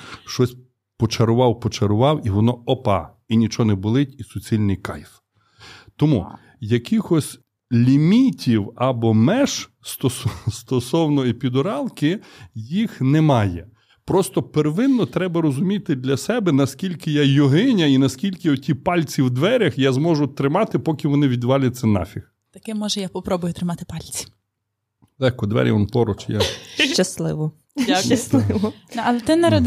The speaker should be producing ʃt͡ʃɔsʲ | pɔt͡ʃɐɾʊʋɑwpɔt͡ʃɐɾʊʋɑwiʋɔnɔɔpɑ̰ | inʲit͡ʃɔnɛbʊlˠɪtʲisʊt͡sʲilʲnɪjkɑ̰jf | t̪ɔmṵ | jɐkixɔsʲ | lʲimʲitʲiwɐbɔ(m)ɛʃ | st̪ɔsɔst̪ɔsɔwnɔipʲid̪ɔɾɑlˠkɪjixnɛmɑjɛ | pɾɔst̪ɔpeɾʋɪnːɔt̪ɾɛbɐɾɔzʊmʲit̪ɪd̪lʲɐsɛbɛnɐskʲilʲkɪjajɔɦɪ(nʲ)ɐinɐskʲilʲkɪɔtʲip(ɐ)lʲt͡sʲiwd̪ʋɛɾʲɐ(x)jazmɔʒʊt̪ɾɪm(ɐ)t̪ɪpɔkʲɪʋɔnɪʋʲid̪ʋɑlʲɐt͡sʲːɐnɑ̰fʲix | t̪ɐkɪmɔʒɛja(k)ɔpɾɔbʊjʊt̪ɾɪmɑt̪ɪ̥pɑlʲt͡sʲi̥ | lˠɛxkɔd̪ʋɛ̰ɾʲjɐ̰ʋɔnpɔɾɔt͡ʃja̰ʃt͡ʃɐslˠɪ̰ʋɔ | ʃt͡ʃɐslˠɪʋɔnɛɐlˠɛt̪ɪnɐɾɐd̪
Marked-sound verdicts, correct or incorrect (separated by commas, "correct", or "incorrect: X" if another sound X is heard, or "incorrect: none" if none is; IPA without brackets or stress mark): correct, correct, incorrect: ɑ, correct, incorrect: ɑ, incorrect: p